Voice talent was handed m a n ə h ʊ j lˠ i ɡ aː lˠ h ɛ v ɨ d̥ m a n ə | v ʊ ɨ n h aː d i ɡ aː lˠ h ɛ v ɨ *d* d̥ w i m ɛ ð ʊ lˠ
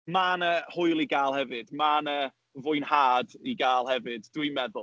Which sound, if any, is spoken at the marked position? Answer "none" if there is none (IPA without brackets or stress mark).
d